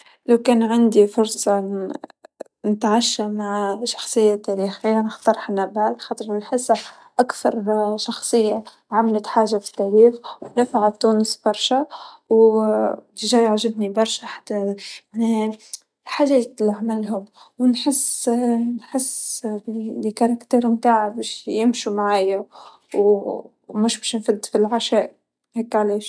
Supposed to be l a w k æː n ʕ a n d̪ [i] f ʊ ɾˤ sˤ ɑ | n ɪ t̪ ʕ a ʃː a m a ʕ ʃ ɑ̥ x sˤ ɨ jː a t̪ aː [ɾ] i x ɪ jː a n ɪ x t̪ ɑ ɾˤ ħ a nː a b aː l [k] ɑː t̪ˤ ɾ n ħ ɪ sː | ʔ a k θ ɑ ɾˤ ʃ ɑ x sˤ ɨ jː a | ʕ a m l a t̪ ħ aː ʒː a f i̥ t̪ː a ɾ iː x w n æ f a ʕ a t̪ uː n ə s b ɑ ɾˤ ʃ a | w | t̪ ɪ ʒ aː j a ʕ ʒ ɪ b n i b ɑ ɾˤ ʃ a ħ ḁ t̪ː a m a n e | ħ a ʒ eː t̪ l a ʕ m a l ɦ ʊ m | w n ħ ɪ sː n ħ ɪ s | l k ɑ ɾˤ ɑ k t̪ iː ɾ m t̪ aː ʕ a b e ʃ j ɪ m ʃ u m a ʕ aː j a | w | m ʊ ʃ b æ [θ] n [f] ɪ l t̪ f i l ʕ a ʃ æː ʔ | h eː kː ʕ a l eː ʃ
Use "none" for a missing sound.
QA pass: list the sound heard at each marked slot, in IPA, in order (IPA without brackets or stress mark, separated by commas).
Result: i, ɾ, x, ʃ, f